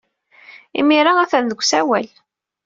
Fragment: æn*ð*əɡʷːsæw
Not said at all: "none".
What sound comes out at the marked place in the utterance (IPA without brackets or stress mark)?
ð